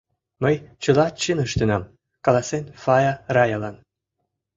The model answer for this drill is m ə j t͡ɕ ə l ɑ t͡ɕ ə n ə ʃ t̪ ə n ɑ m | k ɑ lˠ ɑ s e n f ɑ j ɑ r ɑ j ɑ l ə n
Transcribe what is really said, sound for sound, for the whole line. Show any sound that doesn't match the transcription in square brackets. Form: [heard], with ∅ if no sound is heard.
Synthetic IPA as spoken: m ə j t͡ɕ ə l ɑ t͡ɕ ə n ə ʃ t̪ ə n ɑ m | k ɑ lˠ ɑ s e n f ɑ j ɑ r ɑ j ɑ l [ɑ] n